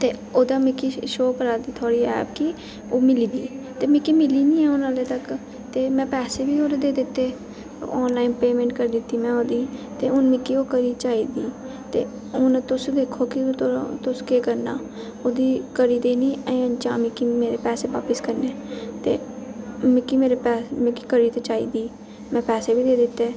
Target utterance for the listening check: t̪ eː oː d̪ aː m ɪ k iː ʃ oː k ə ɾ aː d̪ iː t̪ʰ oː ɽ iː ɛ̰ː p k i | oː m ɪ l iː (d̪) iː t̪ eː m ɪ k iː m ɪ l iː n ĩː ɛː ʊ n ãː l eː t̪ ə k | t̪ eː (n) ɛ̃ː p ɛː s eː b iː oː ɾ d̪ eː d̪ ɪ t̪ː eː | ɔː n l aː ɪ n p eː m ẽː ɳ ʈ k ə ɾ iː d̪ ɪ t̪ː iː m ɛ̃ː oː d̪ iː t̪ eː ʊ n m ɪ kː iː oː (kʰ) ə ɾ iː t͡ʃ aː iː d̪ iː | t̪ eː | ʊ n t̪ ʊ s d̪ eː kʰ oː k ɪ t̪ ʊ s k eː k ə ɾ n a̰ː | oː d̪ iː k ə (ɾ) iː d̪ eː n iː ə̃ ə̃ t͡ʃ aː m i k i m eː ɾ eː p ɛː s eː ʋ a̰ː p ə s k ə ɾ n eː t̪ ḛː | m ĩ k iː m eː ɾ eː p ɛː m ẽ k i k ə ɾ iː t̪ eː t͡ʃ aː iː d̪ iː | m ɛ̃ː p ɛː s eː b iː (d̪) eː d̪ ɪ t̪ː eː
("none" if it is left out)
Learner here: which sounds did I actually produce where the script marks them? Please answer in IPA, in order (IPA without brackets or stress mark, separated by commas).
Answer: d̪, m, k, ɾ, d̪